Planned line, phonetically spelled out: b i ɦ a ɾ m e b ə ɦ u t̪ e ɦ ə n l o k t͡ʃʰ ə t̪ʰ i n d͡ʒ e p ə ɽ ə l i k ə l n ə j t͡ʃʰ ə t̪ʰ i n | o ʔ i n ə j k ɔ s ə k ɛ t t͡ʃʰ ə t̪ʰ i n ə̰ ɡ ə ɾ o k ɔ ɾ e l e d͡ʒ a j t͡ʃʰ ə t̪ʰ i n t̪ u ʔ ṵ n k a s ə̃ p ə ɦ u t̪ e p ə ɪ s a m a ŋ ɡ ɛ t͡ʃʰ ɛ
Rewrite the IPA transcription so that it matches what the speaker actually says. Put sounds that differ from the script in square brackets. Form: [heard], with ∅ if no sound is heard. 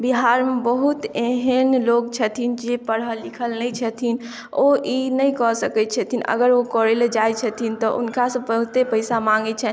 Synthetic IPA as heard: b i ɦ a ɾ m e b ə ɦ u t̪ e ɦ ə n l o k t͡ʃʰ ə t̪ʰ i n d͡ʒ e p ə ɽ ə l i [kʰ] ə l n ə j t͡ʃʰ ə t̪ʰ i n | o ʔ i n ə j k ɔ s ə k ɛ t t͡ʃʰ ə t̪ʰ i n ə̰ ɡ ə ɾ o k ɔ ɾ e l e d͡ʒ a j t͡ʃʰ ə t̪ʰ i n t̪ [ɔ] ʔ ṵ n k a s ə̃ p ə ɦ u t̪ e p ə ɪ s a m a ŋ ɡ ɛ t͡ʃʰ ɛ

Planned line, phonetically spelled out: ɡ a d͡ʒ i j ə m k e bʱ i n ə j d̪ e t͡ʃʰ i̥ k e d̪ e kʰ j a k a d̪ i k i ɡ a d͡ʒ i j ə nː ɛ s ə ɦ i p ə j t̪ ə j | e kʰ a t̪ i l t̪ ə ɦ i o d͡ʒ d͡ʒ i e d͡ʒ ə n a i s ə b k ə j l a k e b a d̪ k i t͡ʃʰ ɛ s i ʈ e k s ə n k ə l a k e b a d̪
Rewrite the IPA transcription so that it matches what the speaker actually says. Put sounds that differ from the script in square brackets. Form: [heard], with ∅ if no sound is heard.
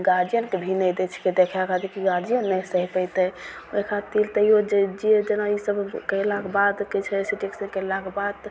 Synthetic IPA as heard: ɡ a d͡ʒ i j ə [n] k e bʱ i n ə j d̪ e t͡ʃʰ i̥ k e d̪ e kʰ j a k a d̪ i k i ɡ a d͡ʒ i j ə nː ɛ s ə ɦ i p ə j t̪ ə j | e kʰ a t̪ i l t̪ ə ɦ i o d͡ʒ d͡ʒ i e d͡ʒ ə n a i s ə b k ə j l a k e b a d̪ k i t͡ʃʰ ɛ s i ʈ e k s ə n k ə l a k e b a d̪

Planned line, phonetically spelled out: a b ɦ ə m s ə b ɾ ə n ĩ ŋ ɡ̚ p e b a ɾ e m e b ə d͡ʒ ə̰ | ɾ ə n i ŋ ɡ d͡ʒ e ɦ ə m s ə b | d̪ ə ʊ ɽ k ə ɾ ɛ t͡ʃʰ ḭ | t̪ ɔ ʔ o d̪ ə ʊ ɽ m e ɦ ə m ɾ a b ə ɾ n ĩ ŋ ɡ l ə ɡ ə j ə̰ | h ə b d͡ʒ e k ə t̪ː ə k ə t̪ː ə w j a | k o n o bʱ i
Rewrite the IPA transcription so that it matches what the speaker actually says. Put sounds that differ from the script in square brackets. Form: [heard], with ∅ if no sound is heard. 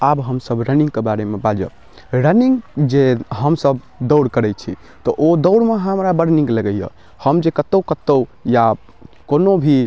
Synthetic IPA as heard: a b ɦ ə m s ə b ɾ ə n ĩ ŋ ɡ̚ [k] e b a ɾ e m e b [a] d͡ʒ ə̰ | ɾ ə n i ŋ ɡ d͡ʒ e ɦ ə m s ə b | d̪ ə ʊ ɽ k ə ɾ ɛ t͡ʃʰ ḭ | t̪ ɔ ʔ o d̪ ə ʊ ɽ m e ɦ ə m ɾ a b ə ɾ n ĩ ŋ ɡ l ə ɡ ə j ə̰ | h ə [m] d͡ʒ e k ə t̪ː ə k ə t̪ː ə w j a | k o n o bʱ i

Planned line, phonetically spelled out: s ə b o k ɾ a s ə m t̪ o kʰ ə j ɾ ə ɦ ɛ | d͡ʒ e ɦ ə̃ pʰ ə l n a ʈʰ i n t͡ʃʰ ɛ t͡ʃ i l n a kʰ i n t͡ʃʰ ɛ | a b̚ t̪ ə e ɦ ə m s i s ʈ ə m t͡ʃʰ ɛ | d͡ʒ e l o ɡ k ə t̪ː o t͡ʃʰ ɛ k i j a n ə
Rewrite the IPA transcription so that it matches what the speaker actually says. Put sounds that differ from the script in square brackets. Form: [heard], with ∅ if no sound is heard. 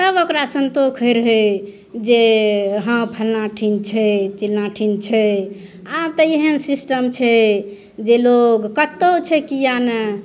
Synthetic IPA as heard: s ə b o k ɾ a s ə [n] t̪ o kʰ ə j ɾ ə ɦ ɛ | d͡ʒ e ɦ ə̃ pʰ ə l n a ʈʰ i n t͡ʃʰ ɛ t͡ʃ i l n a [ʈʰ] i n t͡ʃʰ ɛ | a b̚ t̪ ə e ɦ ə [n] s i s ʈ ə m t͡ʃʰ ɛ | d͡ʒ e l o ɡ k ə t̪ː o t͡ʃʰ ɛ k i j a n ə

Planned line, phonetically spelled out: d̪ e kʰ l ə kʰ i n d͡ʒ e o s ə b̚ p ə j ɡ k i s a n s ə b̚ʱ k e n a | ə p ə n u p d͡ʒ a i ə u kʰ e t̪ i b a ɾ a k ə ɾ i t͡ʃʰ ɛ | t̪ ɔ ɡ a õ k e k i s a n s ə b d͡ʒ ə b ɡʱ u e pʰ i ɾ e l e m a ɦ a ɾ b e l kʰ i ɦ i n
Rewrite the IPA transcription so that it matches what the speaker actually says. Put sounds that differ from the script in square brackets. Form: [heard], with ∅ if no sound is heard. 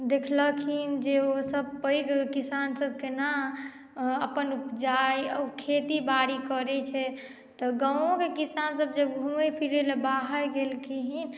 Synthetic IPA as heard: d̪ e kʰ l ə kʰ i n d͡ʒ e o s ə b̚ p ə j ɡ k i s a n s ə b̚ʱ k e n a | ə p ə n u p d͡ʒ a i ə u kʰ e t̪ i b a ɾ [i] k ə ɾ [ɛ] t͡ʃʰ ɛ | t̪ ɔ ɡ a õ k e k i s a n s ə b d͡ʒ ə b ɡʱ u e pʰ i ɾ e l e [b] a ɦ [ə] ɾ [ɡ] e l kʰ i ɦ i n

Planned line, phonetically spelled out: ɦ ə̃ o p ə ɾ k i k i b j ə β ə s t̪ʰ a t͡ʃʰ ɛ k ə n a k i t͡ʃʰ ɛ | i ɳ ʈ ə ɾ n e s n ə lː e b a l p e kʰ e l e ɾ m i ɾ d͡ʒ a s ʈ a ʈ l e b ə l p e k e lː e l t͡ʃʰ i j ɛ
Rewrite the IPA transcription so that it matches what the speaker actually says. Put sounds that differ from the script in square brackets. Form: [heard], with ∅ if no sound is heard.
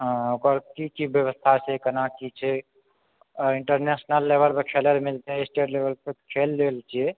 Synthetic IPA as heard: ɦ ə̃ o [k] ə ɾ k i k i b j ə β ə s t̪ʰ a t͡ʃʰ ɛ k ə n a k i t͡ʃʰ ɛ | i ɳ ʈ ə ɾ n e s n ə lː e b [ə] l p e kʰ e l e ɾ m i [l] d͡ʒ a s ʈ [e] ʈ l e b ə l p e [kʰ] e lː e l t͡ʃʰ i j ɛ

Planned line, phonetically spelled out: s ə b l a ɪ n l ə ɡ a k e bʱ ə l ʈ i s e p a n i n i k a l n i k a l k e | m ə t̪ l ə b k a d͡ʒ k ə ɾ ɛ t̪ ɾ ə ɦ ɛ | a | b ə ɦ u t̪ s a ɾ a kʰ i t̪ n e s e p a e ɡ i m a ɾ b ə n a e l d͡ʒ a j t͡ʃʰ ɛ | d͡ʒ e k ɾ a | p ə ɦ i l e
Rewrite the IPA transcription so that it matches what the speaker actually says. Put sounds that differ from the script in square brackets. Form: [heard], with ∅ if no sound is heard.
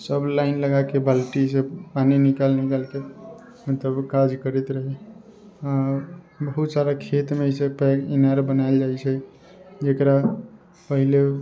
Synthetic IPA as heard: s ə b l a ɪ n l ə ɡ a k e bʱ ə l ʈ i s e p a n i n i k a l n i k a l k e | m ə t̪ l ə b k a d͡ʒ k ə ɾ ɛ t̪ ɾ ə ɦ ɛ | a | b ə ɦ u t̪ s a ɾ a kʰ [e] t̪ [m] e s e p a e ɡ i [n] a ɾ b ə n a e l d͡ʒ a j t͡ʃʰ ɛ | d͡ʒ e k ɾ a | p ə ɦ i l e

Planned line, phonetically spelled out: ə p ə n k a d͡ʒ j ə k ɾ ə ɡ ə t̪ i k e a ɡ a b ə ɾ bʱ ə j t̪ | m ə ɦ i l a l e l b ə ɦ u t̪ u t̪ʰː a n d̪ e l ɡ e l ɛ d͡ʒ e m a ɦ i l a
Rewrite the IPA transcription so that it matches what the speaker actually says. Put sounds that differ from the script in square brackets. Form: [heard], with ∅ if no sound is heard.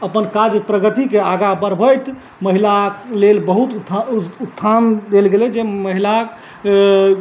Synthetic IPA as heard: ə p ə n k a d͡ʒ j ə [p] ɾ ə ɡ ə t̪ i k e a ɡ a b ə ɾ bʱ ə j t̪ | m ə ɦ i l a l e l b ə ɦ u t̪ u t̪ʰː a n d̪ e l ɡ e l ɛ d͡ʒ e m [ə] ɦ i l a

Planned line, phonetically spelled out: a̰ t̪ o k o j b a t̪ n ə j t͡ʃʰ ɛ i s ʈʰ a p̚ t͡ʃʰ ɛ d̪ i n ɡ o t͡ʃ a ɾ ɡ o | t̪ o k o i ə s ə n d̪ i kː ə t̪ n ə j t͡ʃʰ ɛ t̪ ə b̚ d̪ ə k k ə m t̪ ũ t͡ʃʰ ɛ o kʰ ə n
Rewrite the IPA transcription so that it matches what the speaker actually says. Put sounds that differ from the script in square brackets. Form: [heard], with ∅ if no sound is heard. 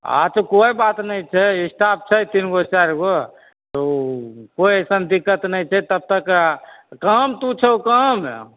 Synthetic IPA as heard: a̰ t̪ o k o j b a t̪ n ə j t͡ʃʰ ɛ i s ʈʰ a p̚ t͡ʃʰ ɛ [t̪] i n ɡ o t͡ʃ a ɾ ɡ o | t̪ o k o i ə s ə n d̪ i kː ə t̪ n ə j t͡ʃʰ ɛ t̪ ə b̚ [t̪] ə k k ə m t̪ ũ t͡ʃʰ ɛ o [k] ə [m]

